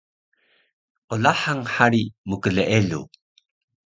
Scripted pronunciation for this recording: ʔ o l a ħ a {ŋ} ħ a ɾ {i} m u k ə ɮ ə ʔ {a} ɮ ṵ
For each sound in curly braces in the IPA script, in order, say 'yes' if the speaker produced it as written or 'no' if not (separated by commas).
yes, yes, no